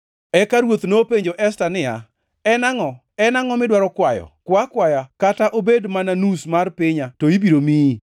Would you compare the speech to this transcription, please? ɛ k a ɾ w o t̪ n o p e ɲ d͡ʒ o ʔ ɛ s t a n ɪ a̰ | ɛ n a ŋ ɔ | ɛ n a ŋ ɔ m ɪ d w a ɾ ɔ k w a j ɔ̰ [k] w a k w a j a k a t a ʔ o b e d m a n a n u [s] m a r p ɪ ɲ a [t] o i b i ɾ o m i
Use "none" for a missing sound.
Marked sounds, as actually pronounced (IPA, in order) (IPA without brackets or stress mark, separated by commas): k, s, t